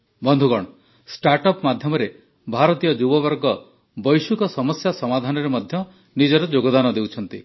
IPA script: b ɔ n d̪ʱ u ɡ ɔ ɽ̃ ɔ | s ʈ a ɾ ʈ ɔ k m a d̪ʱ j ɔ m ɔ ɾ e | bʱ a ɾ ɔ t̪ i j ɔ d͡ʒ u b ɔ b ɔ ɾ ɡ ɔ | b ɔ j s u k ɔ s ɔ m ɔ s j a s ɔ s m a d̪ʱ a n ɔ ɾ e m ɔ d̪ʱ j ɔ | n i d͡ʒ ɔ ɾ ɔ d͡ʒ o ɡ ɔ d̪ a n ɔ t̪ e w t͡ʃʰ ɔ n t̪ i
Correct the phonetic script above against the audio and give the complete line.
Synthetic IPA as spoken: b ɔ n d̪ʱ u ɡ ɔ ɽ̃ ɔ | s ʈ a ɾ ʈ ɔ p m a d̪ʱ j ɔ m ɔ ɾ e | bʱ a ɾ ɔ t̪ i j ɔ d͡ʒ u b ɔ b ɔ ɾ ɡ ɔ | b ɔ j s u k ɔ s ɔ m ɔ s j a s ɔ m a d̪ʱ a n ɔ ɾ e m ɔ d̪ʱ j ɔ | n i d͡ʒ ɔ ɾ ɔ d͡ʒ o ɡ ɔ d̪ a n ɔ d̪ e w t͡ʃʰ ɔ n t̪ i